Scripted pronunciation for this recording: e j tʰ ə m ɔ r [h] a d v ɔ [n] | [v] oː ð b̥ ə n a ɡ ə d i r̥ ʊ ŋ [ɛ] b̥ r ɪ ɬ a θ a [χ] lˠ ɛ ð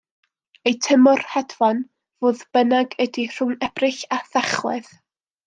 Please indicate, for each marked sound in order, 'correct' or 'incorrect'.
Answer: correct, correct, correct, correct, correct

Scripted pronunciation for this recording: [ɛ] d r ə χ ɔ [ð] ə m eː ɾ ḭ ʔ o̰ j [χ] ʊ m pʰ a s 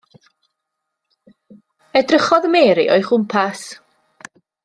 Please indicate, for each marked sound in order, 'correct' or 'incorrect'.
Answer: correct, correct, correct

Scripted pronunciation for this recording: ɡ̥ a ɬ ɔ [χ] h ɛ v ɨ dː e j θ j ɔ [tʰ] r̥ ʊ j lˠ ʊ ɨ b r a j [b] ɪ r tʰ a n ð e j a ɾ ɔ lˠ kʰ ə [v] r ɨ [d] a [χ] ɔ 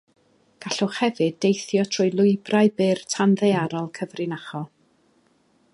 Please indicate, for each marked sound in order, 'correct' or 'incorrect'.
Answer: correct, correct, correct, correct, incorrect: n, correct

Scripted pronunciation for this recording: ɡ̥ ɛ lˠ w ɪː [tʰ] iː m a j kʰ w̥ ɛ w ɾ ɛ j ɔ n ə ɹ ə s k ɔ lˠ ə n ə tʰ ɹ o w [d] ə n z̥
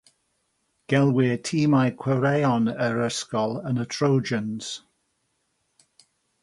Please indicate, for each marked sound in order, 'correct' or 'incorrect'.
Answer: correct, incorrect: d͡ʒ

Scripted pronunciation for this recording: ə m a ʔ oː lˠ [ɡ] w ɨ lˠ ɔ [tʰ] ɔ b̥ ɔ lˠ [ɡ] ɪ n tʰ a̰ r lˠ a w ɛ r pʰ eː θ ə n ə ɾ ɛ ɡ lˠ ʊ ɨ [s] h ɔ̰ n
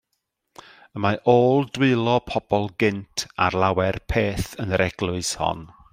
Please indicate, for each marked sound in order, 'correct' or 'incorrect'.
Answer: incorrect: d, incorrect: pʰ, correct, correct

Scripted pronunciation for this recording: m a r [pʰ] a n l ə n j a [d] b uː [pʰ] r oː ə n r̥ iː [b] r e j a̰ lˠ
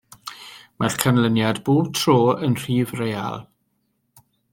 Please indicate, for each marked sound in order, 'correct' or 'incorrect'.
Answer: incorrect: kʰ, correct, incorrect: tʰ, incorrect: v

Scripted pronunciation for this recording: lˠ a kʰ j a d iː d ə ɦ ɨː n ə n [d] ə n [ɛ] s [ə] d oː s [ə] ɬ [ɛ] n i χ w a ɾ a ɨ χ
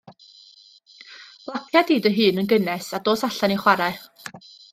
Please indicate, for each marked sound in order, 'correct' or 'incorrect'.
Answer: incorrect: ɡ, correct, incorrect: a, incorrect: a, incorrect: a

